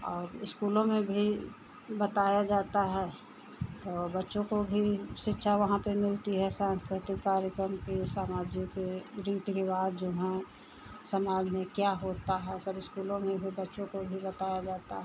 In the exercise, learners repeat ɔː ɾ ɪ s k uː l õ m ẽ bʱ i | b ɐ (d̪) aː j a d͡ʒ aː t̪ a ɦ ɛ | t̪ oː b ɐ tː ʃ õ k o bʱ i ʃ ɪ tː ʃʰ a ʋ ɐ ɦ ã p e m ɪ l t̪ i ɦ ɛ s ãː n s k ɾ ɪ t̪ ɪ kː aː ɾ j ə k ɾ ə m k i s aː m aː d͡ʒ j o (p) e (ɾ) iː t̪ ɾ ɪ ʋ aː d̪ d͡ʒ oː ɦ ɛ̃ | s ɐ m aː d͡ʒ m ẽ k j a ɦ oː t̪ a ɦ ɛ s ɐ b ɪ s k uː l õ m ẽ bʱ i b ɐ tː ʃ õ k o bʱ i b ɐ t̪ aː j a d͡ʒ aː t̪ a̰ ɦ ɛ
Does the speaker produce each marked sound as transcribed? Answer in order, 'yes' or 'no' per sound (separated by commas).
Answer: no, no, yes